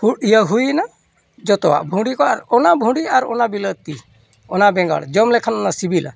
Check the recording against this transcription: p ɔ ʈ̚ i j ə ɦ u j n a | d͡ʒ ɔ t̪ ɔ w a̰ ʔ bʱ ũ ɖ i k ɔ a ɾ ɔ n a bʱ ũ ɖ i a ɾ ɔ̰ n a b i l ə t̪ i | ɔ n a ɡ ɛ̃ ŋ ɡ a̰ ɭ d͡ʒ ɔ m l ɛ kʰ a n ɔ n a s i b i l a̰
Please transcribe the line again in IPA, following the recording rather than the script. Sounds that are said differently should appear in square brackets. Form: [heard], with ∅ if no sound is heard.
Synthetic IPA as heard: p [u] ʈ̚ i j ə ɦ u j n a | d͡ʒ ɔ t̪ ɔ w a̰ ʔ bʱ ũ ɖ i k ɔ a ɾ ɔ n a bʱ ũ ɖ i a ɾ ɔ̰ n a b i l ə t̪ i | ɔ n a [b] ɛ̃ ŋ ɡ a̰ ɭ d͡ʒ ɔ m l ɛ kʰ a n ɔ n a s i b i l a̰